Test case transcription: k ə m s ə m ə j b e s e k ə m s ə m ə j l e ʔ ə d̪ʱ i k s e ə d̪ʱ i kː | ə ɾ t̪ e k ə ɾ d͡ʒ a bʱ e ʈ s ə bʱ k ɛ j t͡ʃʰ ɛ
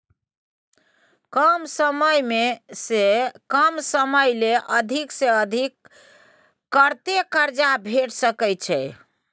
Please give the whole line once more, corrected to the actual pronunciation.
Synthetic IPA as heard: k ə m s ə m ə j m e s e k ə m s ə m ə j l e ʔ ə d̪ʱ i k s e ə d̪ʱ i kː | ə ɾ t̪ e k ə ɾ d͡ʒ a bʱ e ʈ s ə k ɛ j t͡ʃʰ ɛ